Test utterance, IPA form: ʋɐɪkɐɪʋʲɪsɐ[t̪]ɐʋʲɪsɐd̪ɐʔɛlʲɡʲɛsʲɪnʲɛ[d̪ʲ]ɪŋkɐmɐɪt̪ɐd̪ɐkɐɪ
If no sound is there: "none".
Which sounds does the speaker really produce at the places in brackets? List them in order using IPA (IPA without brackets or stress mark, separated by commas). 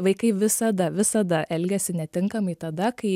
d̪, t̪ʲ